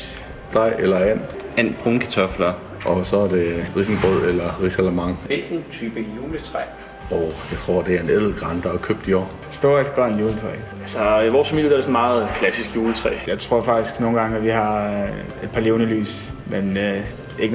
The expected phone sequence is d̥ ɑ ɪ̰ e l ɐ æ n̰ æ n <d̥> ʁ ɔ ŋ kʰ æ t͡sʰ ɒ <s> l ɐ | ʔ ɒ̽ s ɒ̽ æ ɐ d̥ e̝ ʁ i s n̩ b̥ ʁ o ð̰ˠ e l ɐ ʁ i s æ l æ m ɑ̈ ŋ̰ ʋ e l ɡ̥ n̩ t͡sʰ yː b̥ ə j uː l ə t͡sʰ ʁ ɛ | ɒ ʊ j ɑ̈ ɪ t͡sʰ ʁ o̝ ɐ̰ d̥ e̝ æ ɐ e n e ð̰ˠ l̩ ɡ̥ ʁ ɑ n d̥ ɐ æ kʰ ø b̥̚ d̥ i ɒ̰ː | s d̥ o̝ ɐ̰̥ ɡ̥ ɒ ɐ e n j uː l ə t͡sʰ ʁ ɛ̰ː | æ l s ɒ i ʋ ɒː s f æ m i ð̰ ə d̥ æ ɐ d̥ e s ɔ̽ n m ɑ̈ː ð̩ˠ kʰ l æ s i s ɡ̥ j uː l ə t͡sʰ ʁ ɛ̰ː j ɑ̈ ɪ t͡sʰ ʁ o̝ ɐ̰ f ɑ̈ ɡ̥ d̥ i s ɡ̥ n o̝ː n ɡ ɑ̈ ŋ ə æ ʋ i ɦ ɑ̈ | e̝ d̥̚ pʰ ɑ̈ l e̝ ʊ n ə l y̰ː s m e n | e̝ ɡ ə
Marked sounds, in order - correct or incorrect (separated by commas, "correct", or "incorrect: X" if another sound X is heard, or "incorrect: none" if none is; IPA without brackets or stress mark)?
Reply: incorrect: b̥, incorrect: f